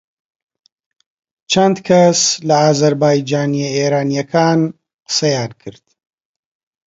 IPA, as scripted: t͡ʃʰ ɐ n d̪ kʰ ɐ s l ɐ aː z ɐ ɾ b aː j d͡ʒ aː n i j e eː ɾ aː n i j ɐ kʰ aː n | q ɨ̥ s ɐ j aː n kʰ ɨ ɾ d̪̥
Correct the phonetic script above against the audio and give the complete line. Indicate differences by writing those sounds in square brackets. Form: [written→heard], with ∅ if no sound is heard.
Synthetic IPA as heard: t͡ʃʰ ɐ n d̪ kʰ ɐ s l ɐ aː z ɐ ɾ b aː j d͡ʒ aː n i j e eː ɾ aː n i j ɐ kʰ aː n | q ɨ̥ s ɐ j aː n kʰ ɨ ɾ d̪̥